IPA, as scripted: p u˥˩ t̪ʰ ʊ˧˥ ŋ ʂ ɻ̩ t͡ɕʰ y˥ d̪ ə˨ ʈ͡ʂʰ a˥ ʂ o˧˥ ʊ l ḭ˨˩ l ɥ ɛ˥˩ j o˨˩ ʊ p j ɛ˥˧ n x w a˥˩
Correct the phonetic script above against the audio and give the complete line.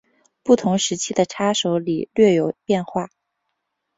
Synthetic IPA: p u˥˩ t̪ʰ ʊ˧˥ ŋ ʂ ɻ̩ t͡ɕʰ i˥ d̪ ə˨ ʈ͡ʂʰ a˥ ʂ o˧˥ ʊ l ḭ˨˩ l ɥ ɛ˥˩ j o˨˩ ʊ p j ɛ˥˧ n x w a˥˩